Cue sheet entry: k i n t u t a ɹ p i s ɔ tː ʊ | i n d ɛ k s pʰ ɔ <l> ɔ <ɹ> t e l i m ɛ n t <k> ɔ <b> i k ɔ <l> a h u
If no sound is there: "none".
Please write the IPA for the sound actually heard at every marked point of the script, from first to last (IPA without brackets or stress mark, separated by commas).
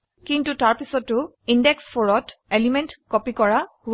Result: ɹ, none, k, p, ɹ